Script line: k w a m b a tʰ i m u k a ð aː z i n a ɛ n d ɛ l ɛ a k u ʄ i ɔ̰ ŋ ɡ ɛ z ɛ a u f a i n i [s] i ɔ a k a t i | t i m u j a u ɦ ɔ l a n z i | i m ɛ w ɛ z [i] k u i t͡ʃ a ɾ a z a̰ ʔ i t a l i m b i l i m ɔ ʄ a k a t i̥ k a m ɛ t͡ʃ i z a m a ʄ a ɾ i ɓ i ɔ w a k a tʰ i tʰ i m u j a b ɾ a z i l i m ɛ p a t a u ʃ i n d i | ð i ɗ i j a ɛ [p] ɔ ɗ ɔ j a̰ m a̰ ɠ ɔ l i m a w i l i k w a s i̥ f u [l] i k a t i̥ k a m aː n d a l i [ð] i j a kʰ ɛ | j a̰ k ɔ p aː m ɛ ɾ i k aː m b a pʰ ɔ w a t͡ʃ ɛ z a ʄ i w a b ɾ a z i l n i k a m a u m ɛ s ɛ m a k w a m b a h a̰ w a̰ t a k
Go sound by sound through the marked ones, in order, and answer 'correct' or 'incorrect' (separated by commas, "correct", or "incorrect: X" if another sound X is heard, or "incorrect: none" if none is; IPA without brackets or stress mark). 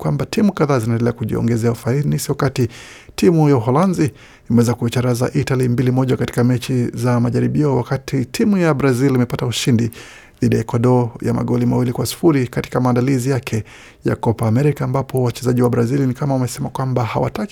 correct, incorrect: a, incorrect: k, incorrect: ɾ, incorrect: z